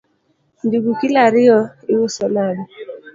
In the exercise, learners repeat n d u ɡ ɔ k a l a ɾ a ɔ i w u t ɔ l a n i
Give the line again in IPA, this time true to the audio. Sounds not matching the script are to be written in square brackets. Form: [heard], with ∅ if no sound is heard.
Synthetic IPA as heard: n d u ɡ [u] k [i] l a ɾ [i] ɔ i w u [s] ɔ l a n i